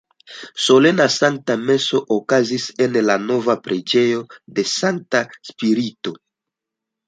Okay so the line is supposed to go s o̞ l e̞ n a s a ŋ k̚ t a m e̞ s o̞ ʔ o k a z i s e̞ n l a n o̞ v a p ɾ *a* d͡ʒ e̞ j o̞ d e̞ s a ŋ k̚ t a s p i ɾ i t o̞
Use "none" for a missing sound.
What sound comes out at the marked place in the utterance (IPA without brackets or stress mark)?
e